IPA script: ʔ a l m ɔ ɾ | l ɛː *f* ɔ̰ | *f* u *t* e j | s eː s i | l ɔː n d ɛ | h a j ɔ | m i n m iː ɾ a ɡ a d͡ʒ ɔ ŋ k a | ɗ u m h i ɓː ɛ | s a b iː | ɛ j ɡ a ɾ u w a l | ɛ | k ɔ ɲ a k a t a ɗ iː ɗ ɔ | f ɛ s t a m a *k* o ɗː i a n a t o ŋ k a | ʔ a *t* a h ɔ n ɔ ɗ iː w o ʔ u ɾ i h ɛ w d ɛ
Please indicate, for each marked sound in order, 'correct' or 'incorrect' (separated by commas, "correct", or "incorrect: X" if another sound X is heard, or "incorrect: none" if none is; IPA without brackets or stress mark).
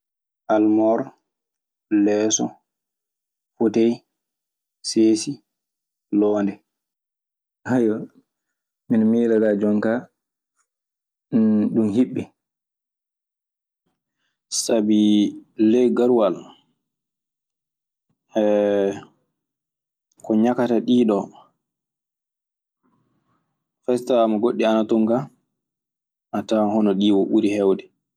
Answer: incorrect: s, correct, correct, incorrect: ɡ, correct